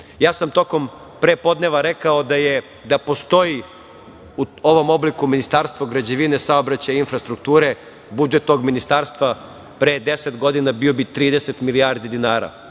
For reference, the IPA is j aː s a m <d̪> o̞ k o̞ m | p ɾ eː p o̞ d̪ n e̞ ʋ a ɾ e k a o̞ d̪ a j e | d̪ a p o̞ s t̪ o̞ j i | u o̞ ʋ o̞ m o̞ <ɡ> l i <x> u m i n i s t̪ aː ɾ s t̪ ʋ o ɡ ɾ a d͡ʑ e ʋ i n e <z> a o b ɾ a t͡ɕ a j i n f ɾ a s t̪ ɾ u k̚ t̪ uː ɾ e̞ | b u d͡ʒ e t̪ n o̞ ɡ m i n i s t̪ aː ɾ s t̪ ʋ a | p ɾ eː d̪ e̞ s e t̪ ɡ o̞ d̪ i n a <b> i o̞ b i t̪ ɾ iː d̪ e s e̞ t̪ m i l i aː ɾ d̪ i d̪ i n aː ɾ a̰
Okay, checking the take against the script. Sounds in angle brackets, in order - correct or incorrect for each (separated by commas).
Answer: incorrect, incorrect, incorrect, incorrect, correct